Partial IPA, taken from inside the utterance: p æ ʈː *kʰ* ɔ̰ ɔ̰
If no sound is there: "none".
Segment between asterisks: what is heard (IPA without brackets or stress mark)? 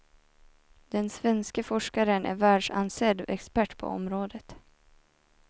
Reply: pʰ